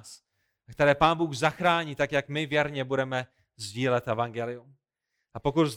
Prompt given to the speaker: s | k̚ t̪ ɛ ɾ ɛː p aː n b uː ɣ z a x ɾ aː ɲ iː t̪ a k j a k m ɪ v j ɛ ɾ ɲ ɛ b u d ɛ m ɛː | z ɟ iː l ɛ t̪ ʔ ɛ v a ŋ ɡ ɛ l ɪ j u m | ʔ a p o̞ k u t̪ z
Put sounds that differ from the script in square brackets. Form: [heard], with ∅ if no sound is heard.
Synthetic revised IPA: s | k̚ t̪ ɛ ɾ ɛː p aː n b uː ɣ z a x ɾ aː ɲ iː t̪ a k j a k m ɪ v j ɛ ɾ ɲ ɛ b u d ɛ m [ɛ] | z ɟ iː l ɛ t̪ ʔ ɛ v a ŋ ɡ ɛ l ɪ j u m | ʔ a p o̞ k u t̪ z